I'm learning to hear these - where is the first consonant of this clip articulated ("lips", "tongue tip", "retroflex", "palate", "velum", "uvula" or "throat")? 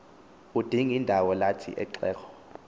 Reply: tongue tip